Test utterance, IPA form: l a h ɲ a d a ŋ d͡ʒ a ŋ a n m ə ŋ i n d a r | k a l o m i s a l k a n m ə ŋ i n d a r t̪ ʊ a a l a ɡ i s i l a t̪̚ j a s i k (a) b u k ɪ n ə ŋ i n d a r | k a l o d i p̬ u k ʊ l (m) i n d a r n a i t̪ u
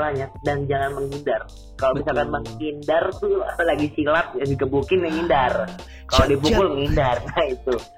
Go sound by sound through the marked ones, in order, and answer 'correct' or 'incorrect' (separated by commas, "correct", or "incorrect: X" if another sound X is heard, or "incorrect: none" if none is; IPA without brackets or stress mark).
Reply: incorrect: ə, incorrect: ŋ